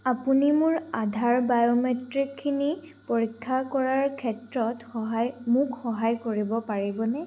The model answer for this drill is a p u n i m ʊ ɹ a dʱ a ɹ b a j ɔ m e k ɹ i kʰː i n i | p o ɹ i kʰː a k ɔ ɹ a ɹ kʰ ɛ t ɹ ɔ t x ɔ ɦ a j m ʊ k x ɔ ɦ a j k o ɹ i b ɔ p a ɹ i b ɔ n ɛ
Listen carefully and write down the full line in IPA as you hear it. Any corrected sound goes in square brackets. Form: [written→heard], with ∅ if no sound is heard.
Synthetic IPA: a p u n i m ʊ ɹ a dʱ a ɹ b a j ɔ m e [k→t] ɹ i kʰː i n i | p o ɹ i kʰː a k ɔ ɹ a ɹ kʰ ɛ t ɹ ɔ t x ɔ ɦ a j m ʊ k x ɔ ɦ a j k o ɹ i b ɔ p a ɹ i b ɔ n ɛ